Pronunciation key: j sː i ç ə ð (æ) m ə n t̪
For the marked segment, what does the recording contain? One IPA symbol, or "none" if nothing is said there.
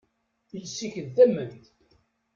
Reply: æ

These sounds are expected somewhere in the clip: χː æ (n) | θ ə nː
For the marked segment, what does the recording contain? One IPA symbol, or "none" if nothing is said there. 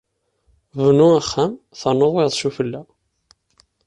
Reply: m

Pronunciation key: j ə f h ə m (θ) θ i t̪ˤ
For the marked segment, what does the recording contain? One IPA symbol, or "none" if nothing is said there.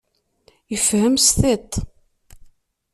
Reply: s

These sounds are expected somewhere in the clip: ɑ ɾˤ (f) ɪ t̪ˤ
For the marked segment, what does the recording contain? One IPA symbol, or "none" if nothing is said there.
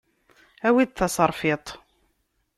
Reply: f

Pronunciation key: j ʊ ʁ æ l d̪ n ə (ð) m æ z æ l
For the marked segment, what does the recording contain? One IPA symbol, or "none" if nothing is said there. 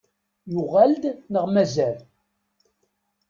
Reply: ʁ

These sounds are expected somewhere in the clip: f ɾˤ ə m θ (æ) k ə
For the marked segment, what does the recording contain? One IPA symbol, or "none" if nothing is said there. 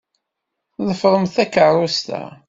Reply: æ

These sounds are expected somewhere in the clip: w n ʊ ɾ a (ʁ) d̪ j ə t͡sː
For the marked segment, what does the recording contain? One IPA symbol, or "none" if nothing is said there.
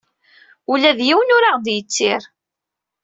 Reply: ʁ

